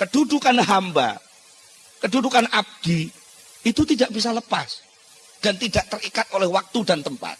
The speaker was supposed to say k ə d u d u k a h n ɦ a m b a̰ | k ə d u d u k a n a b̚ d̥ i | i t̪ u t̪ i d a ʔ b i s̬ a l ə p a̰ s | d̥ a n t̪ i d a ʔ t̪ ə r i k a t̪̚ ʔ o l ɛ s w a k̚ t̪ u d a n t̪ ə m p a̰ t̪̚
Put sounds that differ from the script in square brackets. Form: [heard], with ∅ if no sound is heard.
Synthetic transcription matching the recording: k ə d u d u k a [∅] n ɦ a m b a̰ | k ə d u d u k a n a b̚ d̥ i | i t̪ u t̪ i d a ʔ b i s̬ a l ə p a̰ s | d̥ a n t̪ i d a ʔ t̪ ə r i k a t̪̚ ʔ o l ɛ [h] w a k̚ t̪ u d a n t̪ ə m p a̰ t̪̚